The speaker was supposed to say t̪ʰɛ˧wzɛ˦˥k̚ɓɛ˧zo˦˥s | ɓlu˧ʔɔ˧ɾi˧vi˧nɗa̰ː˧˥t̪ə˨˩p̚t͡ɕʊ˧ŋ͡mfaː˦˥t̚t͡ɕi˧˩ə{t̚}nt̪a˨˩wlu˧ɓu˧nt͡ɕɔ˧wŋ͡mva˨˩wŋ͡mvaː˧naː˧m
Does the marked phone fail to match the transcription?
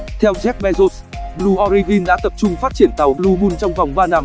yes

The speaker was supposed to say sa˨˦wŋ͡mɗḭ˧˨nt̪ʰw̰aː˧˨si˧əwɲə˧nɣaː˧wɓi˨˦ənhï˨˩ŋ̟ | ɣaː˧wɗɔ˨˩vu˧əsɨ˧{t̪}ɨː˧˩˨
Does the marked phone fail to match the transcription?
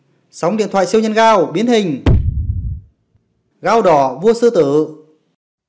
no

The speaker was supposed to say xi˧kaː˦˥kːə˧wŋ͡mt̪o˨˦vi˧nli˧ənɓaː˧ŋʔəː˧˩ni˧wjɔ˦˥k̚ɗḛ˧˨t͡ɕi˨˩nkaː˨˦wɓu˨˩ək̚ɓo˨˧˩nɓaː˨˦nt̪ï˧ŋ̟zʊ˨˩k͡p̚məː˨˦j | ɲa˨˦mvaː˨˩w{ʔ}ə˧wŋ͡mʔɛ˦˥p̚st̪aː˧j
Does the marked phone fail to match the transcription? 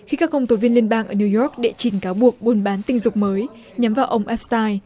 no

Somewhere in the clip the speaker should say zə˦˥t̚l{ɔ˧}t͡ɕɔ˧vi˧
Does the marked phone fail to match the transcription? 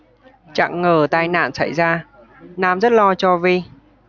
no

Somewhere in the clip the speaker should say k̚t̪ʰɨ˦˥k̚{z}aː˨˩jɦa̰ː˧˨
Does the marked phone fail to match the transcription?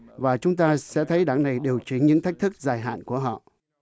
no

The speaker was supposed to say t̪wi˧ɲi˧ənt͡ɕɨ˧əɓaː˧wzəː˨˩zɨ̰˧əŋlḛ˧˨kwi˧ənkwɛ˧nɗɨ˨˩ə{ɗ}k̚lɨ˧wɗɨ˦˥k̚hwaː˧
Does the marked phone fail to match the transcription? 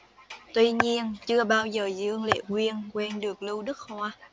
yes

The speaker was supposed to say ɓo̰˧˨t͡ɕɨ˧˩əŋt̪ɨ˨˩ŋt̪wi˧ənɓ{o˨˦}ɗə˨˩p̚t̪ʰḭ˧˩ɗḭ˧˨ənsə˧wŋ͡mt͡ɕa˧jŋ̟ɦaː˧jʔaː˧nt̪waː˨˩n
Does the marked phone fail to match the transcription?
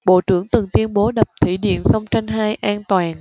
no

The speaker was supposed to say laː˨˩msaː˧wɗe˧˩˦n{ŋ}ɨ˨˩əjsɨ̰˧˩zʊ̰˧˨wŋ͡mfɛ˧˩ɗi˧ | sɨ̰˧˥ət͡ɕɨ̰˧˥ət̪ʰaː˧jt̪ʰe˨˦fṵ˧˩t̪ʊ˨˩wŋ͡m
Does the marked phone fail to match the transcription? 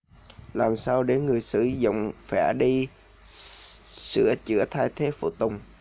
no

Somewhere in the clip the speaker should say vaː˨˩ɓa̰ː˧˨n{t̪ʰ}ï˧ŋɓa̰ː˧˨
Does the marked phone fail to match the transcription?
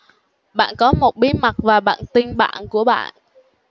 yes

